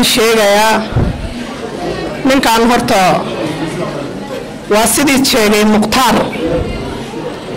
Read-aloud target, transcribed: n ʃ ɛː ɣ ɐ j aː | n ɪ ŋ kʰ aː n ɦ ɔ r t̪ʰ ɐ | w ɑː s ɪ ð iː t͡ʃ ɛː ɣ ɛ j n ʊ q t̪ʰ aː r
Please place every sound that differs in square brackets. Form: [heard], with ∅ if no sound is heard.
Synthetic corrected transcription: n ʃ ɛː ɣ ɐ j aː | n ɪ ŋ kʰ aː n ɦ ɔ r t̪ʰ ɐ | w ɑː s ɪ ð iː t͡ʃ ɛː ɣ ɛ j [m] ʊ q t̪ʰ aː r